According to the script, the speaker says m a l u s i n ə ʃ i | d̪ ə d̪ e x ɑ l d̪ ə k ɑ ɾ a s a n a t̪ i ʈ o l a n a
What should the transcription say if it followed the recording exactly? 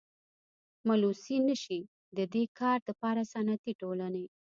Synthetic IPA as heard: m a l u s i n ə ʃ i | d̪ ə d̪ e k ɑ ɾ d̪ ə p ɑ ɾ a s a n a t̪ i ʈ o l a n e